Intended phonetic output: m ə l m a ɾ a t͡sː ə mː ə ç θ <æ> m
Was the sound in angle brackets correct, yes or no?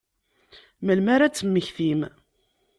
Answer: no